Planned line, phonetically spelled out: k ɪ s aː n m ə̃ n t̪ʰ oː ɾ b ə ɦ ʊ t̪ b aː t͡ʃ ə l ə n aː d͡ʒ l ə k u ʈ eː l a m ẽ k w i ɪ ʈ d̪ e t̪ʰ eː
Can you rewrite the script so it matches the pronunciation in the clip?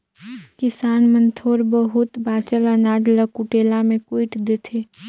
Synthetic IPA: k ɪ s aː n m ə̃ n t̪ʰ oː ɾ b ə ɦ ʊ t̪ b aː t͡ʃ ə l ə n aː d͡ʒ l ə k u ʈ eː l a m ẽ k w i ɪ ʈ d̪ e t̪ʰ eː